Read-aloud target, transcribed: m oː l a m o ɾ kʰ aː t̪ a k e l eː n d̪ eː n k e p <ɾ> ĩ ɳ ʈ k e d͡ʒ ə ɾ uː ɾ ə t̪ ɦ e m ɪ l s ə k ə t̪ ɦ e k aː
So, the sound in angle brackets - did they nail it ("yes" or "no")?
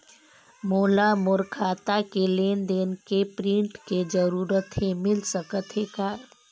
yes